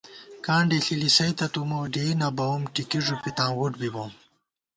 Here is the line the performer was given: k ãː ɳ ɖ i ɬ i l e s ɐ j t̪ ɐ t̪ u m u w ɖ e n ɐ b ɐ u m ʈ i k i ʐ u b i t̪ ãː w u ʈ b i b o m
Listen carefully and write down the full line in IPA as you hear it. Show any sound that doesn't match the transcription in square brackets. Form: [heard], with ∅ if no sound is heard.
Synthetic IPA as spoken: k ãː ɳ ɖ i ɬ i l [i] s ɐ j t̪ ɐ t̪ u m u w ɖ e n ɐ b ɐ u m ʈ i k i ʐ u [p] i t̪ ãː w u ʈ b i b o m